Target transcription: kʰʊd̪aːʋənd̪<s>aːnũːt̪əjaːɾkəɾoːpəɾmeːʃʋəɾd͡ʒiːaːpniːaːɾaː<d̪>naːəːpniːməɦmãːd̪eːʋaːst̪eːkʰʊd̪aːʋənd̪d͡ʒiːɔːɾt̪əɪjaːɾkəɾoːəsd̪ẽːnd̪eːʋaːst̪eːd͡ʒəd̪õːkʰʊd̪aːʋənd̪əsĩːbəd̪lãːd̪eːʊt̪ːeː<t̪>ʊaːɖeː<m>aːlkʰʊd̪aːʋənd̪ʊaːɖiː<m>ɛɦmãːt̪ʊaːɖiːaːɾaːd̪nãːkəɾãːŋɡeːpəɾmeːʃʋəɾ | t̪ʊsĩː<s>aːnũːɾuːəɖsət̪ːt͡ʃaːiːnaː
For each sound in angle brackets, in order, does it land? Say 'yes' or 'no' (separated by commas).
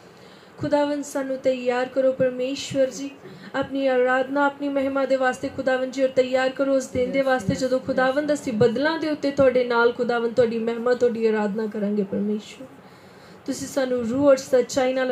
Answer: yes, yes, yes, no, yes, yes